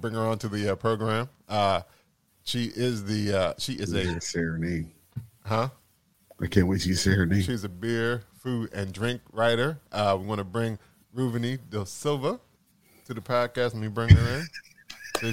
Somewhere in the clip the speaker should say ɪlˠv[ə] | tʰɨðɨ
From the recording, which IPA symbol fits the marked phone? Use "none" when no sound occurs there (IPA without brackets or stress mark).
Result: ə